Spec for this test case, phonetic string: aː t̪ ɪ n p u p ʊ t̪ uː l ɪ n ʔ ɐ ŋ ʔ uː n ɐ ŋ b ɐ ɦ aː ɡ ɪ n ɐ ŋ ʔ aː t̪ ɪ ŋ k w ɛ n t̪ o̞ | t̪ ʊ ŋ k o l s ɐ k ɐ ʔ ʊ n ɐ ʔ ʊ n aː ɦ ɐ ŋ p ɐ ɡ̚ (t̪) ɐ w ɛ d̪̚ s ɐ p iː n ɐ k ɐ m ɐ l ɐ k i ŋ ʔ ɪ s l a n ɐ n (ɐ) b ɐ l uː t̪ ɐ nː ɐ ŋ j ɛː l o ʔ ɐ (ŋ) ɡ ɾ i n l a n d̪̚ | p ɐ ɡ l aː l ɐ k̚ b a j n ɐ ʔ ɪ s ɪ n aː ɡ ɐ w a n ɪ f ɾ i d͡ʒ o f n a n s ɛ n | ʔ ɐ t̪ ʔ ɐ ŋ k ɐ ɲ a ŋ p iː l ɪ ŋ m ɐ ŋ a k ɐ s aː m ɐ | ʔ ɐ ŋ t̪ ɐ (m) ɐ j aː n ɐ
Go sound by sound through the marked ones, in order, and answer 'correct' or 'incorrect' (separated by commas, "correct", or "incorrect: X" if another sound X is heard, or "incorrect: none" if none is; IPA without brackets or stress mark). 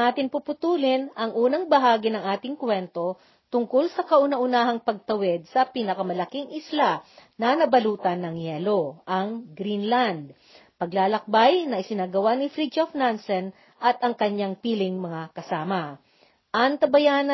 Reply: correct, correct, correct, incorrect: b